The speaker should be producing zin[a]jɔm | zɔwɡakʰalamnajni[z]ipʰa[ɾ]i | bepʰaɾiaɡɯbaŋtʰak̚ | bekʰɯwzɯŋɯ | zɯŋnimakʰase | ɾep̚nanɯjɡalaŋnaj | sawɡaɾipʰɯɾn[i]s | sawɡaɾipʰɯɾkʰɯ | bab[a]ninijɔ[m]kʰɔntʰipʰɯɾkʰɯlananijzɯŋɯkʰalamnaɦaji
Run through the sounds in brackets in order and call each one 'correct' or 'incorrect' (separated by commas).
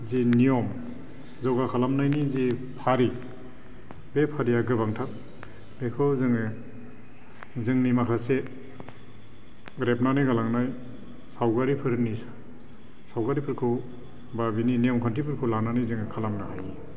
incorrect, correct, correct, correct, incorrect, correct